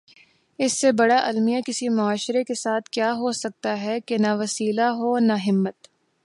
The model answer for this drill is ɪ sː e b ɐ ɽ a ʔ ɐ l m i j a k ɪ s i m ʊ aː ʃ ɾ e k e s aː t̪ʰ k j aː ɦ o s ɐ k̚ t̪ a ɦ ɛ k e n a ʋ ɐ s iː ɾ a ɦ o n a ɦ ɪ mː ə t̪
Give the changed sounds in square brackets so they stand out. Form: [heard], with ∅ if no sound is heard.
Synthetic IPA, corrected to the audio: ɪ sː e b ɐ ɽ a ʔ ɐ l m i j a k ɪ s i m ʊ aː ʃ ɾ e k e s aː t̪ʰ k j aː ɦ o s ɐ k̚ t̪ a ɦ ɛ k e n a ʋ ɐ s iː [l] a ɦ o n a ɦ ɪ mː ə t̪